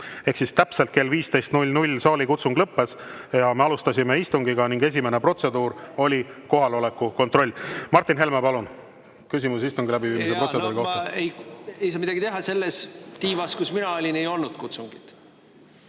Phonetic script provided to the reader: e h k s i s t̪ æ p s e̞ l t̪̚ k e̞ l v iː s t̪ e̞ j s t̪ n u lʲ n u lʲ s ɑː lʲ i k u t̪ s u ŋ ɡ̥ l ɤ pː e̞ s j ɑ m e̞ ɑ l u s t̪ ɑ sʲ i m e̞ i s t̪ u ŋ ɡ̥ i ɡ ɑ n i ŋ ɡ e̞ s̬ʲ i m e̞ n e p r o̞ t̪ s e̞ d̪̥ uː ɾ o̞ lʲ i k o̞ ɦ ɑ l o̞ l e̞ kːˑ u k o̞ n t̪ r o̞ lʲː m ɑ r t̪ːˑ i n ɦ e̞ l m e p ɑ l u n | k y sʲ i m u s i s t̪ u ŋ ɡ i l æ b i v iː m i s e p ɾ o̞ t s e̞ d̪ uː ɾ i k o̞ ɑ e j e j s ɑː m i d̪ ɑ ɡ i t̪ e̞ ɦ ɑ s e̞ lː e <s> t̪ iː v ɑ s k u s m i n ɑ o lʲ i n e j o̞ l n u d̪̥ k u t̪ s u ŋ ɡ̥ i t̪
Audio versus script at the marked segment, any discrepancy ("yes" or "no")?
no